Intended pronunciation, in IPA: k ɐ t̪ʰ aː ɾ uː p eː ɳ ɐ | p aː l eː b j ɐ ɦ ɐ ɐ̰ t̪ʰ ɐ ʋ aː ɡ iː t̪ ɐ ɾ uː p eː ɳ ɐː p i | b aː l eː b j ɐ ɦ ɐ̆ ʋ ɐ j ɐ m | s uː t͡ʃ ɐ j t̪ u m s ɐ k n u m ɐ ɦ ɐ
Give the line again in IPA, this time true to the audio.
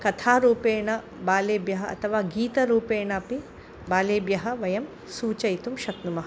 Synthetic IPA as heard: k ɐ t̪ʰ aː ɾ uː p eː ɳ ɐ | b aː l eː b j ɐ ɦ ɐ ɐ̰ t̪ʰ ɐ ʋ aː ɡ iː t̪ ɐ ɾ uː p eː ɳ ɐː p i | b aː l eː b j ɐ ɦ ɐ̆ ʋ ɐ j ɐ m | s uː t͡ʃ ɐ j t̪ u m ʃ ɐ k n u m ɐ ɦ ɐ